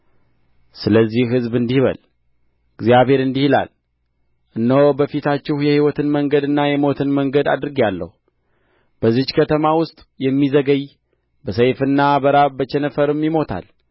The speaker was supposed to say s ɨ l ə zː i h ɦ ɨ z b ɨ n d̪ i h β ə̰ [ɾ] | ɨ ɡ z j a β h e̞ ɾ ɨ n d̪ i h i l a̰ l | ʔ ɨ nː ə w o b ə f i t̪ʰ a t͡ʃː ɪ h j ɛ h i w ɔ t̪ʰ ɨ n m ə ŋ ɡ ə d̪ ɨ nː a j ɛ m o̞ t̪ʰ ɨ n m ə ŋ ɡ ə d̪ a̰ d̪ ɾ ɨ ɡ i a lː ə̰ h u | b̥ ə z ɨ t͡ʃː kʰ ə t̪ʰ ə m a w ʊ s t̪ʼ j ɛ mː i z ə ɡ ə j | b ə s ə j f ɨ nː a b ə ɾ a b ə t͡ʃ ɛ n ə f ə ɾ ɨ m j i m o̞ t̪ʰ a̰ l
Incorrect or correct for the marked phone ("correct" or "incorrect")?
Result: incorrect